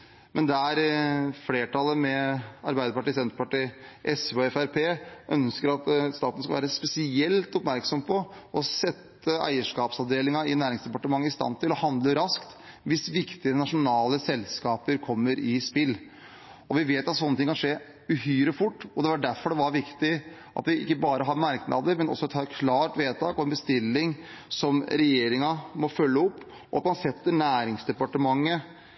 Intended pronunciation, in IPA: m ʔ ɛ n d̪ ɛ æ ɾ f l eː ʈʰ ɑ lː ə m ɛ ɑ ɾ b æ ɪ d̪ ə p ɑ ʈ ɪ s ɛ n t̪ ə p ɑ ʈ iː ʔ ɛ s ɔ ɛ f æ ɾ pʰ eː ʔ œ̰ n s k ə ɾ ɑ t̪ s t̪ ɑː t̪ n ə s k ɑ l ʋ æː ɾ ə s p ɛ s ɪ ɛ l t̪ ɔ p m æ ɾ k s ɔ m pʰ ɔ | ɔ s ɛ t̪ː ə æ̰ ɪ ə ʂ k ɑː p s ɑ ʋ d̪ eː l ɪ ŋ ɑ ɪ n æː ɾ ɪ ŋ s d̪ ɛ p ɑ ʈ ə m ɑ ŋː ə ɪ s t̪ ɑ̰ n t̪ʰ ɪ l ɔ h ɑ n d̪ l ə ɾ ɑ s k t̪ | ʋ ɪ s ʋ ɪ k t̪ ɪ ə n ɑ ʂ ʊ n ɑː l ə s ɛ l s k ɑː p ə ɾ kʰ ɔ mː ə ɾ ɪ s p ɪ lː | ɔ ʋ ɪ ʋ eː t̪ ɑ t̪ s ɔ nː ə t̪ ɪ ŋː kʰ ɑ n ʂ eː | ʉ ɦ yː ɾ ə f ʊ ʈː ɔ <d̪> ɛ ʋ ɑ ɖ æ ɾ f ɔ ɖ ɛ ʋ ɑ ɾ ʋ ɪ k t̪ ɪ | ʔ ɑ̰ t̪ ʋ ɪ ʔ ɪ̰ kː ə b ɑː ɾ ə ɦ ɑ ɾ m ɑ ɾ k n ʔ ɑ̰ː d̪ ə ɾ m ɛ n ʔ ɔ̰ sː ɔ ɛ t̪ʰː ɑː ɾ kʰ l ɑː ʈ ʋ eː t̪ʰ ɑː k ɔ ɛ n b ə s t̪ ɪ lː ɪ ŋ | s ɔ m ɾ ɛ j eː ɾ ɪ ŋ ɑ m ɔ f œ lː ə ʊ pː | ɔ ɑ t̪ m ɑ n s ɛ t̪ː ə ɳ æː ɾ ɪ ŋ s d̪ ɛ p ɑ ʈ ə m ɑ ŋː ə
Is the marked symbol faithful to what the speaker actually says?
yes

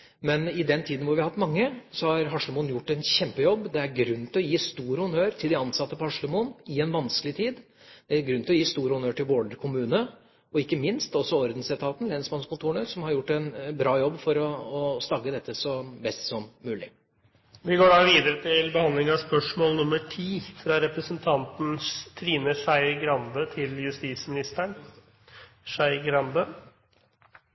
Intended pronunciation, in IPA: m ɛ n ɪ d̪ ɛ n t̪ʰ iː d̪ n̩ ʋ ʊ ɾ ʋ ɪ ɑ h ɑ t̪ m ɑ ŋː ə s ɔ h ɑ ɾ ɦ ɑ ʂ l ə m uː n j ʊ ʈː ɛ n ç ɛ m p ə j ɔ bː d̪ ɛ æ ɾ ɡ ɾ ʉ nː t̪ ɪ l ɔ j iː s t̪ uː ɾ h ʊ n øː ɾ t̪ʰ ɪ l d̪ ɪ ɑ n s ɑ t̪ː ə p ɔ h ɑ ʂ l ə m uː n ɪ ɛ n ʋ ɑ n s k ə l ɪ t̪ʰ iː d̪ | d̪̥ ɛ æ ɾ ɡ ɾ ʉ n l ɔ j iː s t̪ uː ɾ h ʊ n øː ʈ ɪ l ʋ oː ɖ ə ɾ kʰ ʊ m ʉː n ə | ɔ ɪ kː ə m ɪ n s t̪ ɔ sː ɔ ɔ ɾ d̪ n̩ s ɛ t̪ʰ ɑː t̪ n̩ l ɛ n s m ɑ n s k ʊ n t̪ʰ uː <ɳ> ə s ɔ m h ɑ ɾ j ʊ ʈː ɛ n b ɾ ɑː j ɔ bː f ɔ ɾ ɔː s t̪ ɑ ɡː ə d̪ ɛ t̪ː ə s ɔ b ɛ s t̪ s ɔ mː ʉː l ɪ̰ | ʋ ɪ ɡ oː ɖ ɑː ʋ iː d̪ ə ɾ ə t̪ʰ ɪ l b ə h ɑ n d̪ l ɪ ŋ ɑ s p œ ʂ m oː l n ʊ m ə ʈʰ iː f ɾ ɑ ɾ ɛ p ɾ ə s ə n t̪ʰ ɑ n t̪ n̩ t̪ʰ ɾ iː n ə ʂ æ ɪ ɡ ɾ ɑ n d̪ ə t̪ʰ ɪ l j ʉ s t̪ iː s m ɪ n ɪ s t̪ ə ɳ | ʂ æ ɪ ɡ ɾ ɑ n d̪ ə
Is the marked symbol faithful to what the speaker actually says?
yes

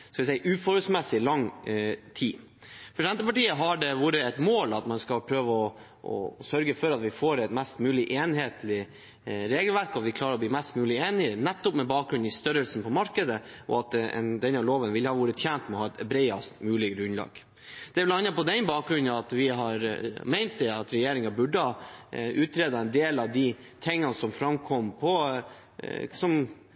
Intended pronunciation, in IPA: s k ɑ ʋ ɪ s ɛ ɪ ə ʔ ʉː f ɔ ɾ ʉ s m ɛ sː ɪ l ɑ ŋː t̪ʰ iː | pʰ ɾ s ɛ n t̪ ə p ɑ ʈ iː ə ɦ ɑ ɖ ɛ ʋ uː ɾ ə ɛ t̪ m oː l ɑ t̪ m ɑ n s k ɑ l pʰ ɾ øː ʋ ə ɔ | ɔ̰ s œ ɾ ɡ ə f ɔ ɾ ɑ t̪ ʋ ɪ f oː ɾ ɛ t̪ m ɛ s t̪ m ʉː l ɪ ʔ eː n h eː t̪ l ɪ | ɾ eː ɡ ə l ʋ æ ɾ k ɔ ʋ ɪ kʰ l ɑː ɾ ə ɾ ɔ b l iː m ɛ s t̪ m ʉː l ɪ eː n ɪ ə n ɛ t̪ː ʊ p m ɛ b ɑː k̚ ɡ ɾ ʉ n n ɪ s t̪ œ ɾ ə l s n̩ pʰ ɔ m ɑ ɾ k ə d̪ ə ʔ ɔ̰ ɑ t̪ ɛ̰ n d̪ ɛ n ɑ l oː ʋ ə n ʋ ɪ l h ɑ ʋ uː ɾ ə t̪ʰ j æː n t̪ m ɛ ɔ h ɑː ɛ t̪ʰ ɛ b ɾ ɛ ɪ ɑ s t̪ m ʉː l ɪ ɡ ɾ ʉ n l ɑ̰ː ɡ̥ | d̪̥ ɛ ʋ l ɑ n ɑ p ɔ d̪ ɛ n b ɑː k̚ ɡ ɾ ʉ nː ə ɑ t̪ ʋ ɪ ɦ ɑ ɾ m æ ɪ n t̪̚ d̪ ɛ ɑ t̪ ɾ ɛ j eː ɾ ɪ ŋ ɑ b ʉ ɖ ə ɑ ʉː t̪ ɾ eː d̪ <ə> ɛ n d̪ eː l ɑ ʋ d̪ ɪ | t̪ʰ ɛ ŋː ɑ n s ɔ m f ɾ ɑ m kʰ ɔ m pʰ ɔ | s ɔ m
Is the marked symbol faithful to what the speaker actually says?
no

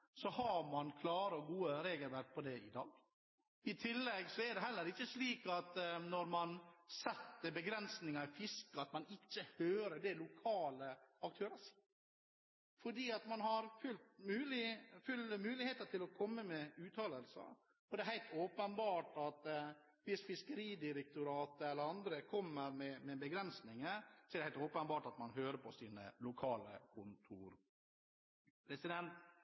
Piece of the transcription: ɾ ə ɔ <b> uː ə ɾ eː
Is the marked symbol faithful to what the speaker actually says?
no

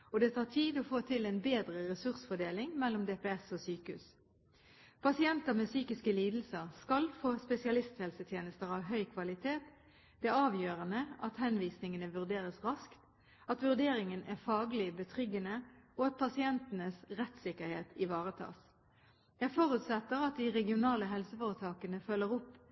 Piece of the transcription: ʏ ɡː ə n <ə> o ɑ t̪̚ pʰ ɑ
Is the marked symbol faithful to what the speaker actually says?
yes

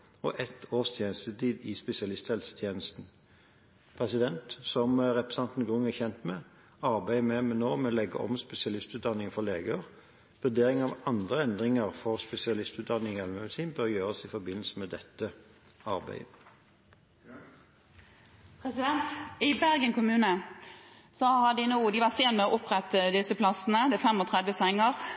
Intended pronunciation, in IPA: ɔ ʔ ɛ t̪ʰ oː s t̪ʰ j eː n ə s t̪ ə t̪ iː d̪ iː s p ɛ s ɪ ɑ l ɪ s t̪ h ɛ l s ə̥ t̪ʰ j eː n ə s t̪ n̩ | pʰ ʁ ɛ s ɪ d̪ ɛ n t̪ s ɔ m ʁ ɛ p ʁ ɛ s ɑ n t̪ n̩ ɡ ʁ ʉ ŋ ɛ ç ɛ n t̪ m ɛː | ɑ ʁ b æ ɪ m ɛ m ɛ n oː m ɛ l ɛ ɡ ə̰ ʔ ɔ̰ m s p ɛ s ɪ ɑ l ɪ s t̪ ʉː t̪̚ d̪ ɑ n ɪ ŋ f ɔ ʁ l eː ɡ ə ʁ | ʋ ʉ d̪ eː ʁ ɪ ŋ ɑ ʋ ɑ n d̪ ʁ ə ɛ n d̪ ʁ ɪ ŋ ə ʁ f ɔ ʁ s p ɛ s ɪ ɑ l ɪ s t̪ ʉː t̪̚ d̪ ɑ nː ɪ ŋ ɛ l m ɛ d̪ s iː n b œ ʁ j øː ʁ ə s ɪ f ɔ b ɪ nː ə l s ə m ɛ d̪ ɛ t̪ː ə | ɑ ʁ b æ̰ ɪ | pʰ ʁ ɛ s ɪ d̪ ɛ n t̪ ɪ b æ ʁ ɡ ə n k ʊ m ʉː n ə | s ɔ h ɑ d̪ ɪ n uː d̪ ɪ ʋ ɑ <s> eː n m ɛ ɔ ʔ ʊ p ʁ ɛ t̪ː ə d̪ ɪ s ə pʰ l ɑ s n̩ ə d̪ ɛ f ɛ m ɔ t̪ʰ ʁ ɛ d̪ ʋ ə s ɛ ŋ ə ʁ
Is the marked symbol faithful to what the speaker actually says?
yes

